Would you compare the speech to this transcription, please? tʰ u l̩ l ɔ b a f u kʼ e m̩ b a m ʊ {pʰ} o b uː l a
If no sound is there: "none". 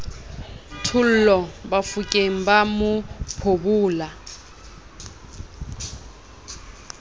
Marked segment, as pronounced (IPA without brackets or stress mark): pʰ